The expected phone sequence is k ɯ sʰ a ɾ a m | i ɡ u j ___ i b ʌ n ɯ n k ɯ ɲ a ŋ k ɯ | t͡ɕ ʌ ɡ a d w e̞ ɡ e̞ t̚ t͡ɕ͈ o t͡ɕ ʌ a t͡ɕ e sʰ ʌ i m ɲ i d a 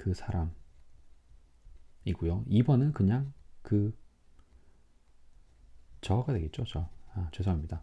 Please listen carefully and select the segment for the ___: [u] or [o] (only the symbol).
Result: o